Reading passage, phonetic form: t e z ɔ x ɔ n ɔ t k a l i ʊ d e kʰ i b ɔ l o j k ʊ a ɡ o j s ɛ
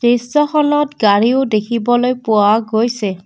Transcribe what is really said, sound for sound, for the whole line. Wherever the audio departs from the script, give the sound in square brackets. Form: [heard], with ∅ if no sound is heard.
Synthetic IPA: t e [s] ɔ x ɔ n ɔ t [ɡ] a [ɹ] i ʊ d e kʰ i b ɔ l o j [p] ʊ a ɡ o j s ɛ